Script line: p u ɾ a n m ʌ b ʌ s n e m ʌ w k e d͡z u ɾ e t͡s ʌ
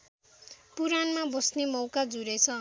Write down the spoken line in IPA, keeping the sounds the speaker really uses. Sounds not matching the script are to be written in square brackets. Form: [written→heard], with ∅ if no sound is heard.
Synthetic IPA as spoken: p u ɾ a n m [ʌ→a] b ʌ s n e m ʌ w k [e→a] d͡z u ɾ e [t͡s→t͡sʰ] ʌ